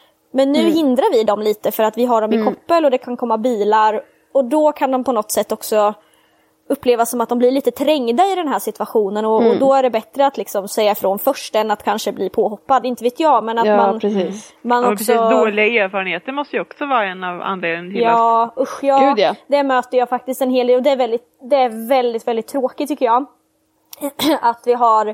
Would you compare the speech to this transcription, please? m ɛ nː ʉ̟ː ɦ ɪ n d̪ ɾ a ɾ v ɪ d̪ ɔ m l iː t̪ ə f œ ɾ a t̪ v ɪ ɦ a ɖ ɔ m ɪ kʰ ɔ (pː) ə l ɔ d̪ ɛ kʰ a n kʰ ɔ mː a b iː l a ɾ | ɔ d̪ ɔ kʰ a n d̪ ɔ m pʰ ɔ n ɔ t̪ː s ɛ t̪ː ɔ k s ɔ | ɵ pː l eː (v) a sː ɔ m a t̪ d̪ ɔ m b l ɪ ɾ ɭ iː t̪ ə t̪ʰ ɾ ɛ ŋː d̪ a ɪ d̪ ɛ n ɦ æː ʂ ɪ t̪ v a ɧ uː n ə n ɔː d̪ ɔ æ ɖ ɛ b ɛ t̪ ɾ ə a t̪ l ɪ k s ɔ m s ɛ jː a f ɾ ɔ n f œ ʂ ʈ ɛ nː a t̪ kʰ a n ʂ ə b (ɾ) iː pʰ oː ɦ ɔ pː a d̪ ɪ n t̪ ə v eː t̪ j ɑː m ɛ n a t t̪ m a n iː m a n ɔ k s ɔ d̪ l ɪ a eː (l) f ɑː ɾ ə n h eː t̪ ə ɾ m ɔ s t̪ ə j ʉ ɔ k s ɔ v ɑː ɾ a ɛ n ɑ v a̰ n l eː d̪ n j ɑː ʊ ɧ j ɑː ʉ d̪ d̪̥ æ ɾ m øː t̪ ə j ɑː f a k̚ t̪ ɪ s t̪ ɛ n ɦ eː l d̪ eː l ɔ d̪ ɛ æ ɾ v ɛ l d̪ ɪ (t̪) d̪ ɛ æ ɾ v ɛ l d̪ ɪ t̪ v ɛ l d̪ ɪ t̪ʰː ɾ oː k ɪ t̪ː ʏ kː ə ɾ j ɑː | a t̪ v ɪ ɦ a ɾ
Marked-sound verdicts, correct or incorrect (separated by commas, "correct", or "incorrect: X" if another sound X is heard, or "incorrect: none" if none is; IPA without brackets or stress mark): correct, correct, incorrect: l, incorrect: ɾ, correct